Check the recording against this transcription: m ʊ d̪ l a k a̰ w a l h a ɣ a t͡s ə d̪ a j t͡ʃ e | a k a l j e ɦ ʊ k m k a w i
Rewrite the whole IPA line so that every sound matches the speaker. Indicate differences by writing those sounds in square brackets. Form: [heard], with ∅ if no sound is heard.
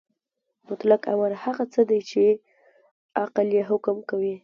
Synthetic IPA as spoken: m ʊ [t̪] l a k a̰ w a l h a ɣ a t͡s ə d̪ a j t͡ʃ e | a [q] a l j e ɦ ʊ k m k a w i

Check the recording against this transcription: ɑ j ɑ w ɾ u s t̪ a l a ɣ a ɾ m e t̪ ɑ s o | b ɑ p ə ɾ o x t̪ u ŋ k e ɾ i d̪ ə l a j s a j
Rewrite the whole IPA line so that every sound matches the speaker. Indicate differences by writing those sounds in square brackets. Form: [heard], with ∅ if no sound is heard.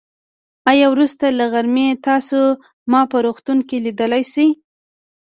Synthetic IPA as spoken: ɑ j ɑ w ɾ u s t̪ a l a ɣ a ɾ m e t̪ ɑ s o | [m] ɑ p ə ɾ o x t̪ u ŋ k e [l] i d̪ ə l a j s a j

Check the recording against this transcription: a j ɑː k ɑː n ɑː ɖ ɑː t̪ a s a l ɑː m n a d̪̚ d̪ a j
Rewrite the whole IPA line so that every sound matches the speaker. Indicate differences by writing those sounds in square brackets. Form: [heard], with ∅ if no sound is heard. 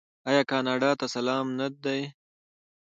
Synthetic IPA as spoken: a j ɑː k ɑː n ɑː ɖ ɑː t̪ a s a l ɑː m n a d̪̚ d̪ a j

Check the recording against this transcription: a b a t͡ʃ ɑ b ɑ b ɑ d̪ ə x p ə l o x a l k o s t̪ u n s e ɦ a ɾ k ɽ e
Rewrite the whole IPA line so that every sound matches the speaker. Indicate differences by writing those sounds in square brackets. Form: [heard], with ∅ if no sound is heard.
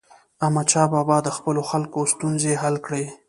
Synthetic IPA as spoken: a [m] a t͡ʃ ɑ b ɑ b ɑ d̪ ə x p ə l o x a l k o s t̪ u n [z] e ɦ a [l] k ɽ e

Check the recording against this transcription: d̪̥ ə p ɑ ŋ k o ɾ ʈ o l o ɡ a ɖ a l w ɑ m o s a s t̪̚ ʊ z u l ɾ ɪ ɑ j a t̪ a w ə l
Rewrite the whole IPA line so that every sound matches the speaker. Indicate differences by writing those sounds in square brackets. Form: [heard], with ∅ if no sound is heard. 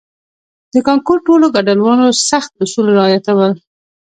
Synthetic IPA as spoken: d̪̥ ə [k] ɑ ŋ k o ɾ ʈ o l o ɡ a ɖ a l w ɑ [n] o s a [x] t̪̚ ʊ [s] u l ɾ ɪ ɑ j a t̪ a w ə l

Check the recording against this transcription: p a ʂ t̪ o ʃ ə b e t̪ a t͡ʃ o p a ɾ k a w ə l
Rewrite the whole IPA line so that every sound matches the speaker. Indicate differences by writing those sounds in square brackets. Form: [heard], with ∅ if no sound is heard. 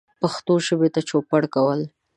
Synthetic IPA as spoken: p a [x] t̪ o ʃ ə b e t̪ a t͡ʃ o p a [ɽ] k a w ə l

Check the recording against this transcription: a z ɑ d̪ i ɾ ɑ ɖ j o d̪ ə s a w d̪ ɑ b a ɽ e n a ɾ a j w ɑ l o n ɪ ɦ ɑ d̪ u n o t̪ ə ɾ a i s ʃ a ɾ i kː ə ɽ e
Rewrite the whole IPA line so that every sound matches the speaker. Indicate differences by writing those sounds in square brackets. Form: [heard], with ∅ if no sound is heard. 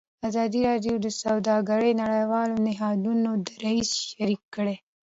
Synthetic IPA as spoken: a z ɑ d̪ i ɾ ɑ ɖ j o d̪ ə s a w d̪ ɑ [ɡ] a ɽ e n a [ɽ] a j w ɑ l o n ɪ ɦ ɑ d̪ u n o [d̪] ə ɾ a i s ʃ a ɾ i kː ə ɽ e

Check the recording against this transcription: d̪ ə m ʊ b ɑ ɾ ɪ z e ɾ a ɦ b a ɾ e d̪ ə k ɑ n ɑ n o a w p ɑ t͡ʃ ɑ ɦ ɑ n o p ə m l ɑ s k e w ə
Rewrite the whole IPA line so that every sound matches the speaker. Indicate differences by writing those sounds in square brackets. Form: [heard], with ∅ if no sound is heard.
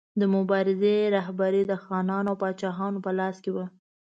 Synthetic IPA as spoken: d̪ ə m ʊ b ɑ ɾ ɪ z e ɾ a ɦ b a ɾ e d̪ ə [x] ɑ n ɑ n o a w p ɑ t͡ʃ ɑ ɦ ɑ n o p ə [∅] l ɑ s k e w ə

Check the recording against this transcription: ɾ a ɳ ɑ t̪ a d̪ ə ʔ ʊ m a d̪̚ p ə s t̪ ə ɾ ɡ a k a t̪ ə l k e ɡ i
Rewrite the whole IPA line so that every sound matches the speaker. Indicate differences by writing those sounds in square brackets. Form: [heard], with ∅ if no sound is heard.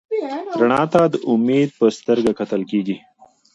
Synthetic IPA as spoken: ɾ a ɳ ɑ t̪ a d̪ ə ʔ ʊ m [e] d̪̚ p ə s t̪ ə ɾ ɡ a k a t̪ ə l k e ɡ i

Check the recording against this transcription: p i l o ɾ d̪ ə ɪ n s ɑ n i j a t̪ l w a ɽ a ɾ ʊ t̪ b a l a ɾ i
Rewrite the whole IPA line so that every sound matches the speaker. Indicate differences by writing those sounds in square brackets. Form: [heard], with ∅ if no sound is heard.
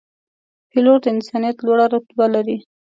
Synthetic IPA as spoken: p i l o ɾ d̪ ə ɪ n s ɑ n i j a t̪ l w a ɽ a ɾ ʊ t̪ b a l a ɾ i

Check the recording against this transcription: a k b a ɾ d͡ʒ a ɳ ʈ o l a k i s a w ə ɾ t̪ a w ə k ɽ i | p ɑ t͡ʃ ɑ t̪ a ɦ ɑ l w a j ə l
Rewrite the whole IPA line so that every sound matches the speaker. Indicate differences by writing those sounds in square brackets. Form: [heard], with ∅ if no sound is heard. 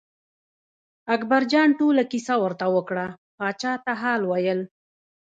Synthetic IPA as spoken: a k b a ɾ d͡ʒ [ɑ] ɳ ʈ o l a k i s a w ə ɾ t̪ a w ə k ɽ [a] | p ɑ t͡ʃ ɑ t̪ a ɦ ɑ l w a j ə l

